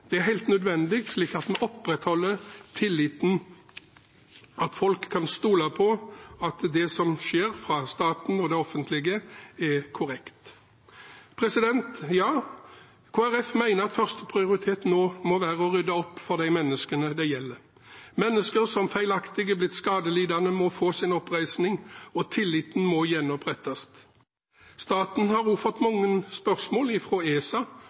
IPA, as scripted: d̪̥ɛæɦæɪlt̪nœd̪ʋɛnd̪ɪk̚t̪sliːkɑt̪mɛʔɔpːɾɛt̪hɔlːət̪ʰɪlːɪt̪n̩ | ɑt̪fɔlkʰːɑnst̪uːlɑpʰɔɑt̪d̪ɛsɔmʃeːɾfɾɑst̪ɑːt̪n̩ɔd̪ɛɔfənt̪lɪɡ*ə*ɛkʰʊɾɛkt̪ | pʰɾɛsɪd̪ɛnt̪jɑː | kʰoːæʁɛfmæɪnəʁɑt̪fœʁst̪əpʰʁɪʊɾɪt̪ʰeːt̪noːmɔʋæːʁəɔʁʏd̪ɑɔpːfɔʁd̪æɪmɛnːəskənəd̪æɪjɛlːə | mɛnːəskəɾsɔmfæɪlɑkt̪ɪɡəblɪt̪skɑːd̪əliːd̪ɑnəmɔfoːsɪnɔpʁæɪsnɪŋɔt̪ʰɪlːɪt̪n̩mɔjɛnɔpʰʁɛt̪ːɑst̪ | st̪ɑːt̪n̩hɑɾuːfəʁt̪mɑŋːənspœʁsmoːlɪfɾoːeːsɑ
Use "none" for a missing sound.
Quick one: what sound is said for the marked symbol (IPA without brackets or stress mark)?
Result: ə